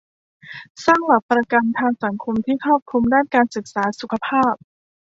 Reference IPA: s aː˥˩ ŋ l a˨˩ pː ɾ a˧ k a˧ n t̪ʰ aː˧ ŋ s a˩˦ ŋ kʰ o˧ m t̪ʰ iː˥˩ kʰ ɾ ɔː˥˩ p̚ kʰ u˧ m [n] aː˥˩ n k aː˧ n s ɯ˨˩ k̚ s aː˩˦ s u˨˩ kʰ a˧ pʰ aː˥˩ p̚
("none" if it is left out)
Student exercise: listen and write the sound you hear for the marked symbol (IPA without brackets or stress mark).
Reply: d